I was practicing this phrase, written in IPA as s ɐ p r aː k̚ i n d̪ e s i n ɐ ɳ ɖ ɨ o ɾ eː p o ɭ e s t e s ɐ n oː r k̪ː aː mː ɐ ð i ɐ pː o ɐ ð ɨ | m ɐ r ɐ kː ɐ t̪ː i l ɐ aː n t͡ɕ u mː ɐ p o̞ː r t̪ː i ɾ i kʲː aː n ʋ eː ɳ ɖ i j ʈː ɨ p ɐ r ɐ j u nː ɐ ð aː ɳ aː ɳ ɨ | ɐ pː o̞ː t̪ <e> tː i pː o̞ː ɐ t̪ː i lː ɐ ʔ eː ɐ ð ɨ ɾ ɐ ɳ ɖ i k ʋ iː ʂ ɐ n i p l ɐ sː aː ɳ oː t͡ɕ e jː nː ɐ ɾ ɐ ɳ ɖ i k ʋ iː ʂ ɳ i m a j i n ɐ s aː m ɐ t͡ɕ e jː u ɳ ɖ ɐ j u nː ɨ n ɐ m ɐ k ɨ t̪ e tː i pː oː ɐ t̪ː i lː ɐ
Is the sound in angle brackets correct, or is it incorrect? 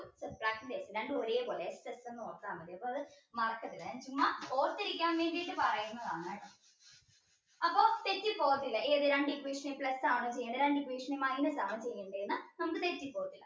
correct